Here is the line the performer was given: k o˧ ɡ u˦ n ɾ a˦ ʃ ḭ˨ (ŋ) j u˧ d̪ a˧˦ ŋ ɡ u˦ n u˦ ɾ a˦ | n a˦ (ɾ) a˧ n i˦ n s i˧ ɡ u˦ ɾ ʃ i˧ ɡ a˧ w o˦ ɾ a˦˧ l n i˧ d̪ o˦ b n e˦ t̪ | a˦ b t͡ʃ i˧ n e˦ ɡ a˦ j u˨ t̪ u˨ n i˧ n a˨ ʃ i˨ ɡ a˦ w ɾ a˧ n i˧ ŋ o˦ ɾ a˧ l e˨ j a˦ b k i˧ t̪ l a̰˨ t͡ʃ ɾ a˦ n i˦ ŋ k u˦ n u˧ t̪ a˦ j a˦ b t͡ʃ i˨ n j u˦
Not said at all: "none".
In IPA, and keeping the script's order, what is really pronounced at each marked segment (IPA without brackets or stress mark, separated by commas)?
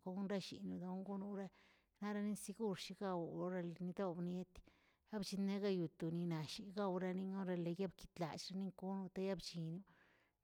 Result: n, ɾ